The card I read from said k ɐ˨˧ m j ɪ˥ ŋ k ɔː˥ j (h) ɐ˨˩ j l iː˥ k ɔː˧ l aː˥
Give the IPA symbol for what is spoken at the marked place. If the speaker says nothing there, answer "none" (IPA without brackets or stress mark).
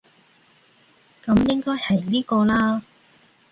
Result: h